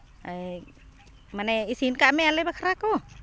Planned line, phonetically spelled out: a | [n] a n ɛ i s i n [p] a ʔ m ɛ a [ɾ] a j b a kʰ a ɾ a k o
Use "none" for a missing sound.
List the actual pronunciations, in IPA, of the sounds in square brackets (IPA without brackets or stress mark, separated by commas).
m, k, l